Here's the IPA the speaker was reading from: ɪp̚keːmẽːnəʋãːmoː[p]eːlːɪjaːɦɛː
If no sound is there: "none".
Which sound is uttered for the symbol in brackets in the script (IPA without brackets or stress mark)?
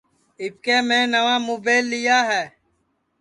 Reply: b